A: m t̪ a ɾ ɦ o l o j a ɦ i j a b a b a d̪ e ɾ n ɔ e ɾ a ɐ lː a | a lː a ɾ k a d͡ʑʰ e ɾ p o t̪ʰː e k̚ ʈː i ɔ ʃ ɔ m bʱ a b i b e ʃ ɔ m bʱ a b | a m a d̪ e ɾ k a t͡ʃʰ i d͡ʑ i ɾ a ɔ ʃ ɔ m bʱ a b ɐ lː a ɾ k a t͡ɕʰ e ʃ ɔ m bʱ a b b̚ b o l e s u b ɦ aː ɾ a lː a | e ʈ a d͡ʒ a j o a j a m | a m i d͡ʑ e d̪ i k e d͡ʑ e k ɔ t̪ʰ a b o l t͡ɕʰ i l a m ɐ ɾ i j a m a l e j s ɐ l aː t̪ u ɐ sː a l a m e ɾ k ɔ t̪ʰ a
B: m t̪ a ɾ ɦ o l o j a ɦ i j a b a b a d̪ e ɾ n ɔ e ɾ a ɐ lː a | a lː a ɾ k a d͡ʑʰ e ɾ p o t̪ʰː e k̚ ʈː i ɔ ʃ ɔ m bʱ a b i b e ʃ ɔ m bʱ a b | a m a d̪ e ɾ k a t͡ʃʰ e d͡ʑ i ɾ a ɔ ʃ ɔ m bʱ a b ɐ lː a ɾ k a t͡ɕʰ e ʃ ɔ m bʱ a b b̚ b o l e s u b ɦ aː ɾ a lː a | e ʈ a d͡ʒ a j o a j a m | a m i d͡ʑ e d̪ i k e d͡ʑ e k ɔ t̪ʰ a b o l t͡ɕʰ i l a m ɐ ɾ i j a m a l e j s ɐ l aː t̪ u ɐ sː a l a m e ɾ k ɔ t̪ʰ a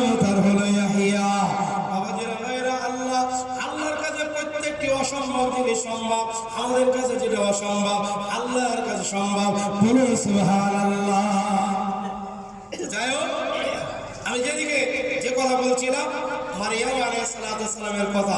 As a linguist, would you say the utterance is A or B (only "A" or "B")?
B